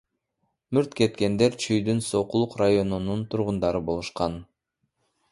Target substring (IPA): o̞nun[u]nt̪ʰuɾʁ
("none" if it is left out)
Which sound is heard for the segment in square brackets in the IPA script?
u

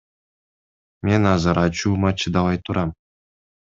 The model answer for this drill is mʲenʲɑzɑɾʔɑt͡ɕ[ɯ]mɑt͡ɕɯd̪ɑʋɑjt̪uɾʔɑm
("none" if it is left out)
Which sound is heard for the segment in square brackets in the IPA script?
u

